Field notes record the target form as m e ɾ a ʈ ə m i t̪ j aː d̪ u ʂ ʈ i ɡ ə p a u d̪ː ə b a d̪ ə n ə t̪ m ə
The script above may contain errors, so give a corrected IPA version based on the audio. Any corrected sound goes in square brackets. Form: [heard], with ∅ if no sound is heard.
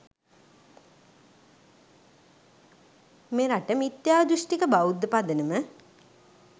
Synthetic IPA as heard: m e ɾ a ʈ ə m i t̪ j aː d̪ u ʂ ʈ i [k] ə [b] a u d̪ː ə [p] a d̪ ə n ə [∅] m ə